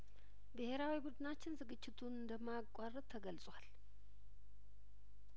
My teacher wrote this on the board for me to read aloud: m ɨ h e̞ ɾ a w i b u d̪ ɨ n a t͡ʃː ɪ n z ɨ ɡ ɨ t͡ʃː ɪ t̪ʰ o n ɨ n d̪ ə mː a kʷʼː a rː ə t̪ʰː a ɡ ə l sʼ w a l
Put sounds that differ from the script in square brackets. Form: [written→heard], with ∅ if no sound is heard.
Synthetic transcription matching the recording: [m→b] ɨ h e̞ ɾ a w i b u d̪ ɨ n a t͡ʃː ɪ n z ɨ ɡ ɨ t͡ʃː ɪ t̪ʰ [o→u] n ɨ n d̪ ə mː a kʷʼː a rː ə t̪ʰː [a→ə] ɡ ə l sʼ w a l